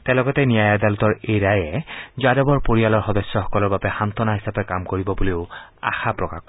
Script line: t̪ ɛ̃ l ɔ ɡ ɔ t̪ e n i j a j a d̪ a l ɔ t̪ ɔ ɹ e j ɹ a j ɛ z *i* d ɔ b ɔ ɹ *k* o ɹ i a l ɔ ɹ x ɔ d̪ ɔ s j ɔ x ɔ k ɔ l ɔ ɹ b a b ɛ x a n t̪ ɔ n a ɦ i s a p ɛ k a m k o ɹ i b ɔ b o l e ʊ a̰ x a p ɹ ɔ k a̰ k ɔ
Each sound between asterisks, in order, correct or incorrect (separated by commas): incorrect, incorrect